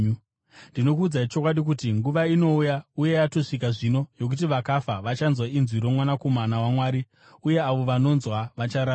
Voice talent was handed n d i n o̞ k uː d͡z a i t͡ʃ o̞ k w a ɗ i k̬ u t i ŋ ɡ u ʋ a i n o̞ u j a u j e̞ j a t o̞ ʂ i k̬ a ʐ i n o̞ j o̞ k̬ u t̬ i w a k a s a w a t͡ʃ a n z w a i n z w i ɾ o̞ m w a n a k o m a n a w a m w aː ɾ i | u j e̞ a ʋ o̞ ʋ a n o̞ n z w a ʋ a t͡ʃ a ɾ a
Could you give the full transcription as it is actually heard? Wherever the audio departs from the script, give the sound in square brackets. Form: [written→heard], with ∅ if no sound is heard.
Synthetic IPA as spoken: n d i n o̞ k uː d͡z a i t͡ʃ o̞ k w a ɗ i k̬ u t i ŋ ɡ u ʋ a i n o̞ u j a u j e̞ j a t o̞ ʂ i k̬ a ʐ i n o̞ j o̞ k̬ u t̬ i [w→ʋ] a k a [s→f] a [w→ʋ] a t͡ʃ a n z w a i n z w i ɾ o̞ m w a n a k o m a n a w a m w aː ɾ i | u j e̞ a ʋ o̞ ʋ a n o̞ n z w a ʋ a t͡ʃ a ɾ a